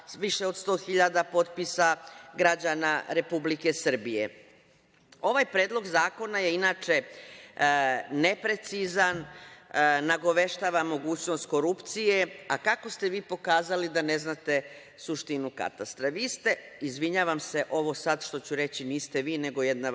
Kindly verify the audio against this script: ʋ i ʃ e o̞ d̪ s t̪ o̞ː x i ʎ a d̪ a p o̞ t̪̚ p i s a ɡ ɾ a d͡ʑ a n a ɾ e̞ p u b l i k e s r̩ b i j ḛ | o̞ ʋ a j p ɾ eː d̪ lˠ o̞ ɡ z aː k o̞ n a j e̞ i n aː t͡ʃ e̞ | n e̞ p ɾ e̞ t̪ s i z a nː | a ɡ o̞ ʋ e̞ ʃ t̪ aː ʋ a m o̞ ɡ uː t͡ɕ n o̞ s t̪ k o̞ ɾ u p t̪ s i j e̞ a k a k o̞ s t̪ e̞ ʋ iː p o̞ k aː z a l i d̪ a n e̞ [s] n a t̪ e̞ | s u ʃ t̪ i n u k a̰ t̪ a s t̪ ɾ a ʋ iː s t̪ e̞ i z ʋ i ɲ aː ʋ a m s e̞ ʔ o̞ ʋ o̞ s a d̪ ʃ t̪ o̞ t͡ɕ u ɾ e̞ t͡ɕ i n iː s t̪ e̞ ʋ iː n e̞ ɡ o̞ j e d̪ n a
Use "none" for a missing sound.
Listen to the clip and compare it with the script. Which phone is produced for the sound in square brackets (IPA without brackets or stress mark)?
z